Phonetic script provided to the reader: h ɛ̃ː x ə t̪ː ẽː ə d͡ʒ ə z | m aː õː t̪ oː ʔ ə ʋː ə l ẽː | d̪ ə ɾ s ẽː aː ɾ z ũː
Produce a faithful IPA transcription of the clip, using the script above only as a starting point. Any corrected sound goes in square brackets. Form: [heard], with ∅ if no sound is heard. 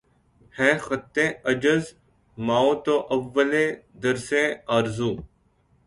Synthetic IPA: h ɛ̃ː x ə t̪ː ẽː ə d͡ʒ ə z | m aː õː t̪ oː ʔ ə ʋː ə l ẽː | d̪ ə ɾ s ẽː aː ɾ z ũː